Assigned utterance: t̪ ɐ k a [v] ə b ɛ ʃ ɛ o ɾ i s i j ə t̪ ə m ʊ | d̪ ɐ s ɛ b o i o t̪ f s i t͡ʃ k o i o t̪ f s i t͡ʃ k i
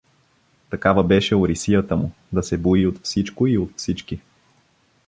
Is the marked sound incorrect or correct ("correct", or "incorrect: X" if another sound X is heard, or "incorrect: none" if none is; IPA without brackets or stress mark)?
correct